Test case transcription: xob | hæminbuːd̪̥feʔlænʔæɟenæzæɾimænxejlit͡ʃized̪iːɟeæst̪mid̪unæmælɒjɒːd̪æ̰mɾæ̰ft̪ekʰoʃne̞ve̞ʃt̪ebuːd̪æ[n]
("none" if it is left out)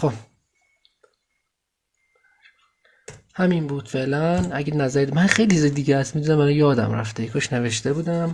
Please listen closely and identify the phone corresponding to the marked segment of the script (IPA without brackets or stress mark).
m